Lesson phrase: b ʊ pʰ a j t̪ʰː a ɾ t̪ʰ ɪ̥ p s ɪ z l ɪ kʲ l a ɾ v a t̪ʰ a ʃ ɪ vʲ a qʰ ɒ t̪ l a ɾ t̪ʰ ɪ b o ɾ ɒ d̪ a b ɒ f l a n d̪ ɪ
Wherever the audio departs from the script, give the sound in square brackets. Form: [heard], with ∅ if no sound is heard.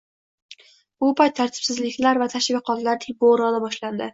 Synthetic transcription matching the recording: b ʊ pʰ a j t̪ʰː a ɾ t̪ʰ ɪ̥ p s ɪ z l ɪ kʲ l a ɾ v a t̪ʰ a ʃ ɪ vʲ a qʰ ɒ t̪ l a ɾ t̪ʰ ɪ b o ɾ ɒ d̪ a b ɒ [ʃ] l a n d̪ ɪ